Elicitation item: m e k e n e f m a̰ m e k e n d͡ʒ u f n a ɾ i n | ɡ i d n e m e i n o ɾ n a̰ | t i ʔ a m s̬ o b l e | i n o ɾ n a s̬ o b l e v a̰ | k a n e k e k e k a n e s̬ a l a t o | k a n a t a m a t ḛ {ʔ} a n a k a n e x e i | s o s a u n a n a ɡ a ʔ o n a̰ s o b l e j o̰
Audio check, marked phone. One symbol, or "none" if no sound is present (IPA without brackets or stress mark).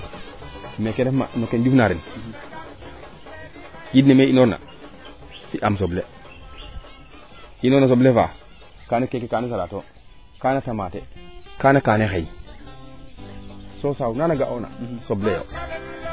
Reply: k